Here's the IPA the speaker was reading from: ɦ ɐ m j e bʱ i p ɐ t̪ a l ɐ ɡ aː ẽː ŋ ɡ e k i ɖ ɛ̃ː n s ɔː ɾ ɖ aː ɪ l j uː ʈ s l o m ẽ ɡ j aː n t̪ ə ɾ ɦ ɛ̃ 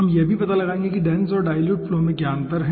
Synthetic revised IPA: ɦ ɐ m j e bʱ i p ɐ t̪ a l ɐ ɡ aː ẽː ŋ ɡ e k i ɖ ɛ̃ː n s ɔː ɾ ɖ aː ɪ l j uː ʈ f l o m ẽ ɡ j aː n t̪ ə ɾ ɦ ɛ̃